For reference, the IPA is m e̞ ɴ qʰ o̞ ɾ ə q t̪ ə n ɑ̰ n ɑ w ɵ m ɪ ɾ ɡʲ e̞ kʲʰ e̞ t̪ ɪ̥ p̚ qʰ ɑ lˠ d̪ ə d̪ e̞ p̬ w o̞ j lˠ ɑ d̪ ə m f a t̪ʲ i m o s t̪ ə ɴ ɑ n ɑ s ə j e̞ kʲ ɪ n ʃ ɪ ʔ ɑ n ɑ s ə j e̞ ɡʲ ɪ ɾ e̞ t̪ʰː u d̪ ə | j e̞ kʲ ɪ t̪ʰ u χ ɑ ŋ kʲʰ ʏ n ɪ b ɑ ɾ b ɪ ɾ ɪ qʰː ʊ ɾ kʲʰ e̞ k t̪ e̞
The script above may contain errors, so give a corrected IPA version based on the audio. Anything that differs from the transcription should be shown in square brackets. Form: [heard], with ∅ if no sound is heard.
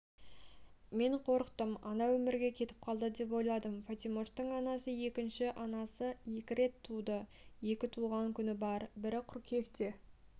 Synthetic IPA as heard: m e̞ ɴ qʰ o̞ ɾ ə q t̪ ə [m] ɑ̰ n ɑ w ɵ m ɪ ɾ ɡʲ e̞ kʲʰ e̞ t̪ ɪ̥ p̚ qʰ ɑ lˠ d̪ ə d̪ e̞ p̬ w o̞ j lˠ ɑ d̪ ə m f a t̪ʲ i m o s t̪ ə ɴ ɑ n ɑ s ə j e̞ kʲ ɪ n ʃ ɪ ʔ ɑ n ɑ s ə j e̞ [kʲ] ɪ ɾ e̞ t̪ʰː u d̪ ə | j e̞ kʲ ɪ t̪ʰ u [ʁ] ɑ ŋ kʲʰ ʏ n ɪ b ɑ ɾ b ɪ ɾ ɪ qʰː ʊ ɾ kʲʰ e̞ k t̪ e̞

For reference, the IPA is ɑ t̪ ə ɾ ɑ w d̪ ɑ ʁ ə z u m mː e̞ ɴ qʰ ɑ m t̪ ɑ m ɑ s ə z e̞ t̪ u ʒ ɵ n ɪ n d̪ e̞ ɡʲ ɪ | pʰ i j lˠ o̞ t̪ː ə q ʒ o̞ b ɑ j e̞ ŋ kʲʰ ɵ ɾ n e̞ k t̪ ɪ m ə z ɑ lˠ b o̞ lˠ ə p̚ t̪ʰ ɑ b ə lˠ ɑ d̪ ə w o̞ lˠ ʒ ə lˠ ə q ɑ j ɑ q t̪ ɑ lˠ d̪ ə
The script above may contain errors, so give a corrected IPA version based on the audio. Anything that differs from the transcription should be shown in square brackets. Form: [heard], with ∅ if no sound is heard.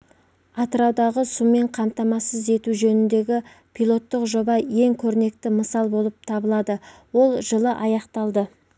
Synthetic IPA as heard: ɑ t̪ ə ɾ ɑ w d̪ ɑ ʁ ə [s] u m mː e̞ ɴ qʰ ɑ m t̪ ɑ m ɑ s ə z e̞ t̪ u ʒ ɵ n ɪ n d̪ e̞ ɡʲ ɪ | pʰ i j lˠ o̞ t̪ː ə q ʒ o̞ b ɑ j e̞ ŋ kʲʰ ɵ ɾ n e̞ k t̪ ɪ m ə [s] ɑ lˠ b o̞ lˠ ə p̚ t̪ʰ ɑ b ə lˠ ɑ d̪ ə w o̞ lˠ ʒ ə lˠ ə [ʔ] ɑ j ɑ q t̪ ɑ lˠ d̪ ə

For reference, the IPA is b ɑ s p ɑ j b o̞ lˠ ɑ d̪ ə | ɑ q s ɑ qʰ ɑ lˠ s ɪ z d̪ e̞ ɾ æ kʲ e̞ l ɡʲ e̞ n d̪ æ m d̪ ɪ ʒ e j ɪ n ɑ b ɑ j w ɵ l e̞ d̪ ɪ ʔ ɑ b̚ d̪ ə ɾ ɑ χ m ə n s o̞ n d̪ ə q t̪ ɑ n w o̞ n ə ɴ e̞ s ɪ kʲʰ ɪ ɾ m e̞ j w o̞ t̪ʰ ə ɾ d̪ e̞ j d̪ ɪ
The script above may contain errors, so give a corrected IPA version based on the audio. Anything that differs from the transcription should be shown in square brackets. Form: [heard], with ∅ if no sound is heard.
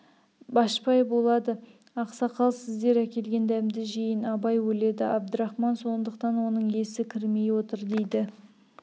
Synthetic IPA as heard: b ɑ [ʃ] p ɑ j b o̞ lˠ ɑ d̪ ə | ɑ q s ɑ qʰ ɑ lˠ s ɪ z d̪ e̞ ɾ æ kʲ e̞ l ɡʲ e̞ n d̪ æ m d̪ ɪ ʒ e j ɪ n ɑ b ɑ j w ɵ l e̞ d̪ ɪ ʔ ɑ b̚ d̪ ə ɾ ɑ χ m [ɑ] n s o̞ n d̪ ə q t̪ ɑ n w o̞ n ə ɴ e̞ s ɪ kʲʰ ɪ ɾ m e̞ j w o̞ [t̪] ə ɾ d̪ e̞ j d̪ ɪ

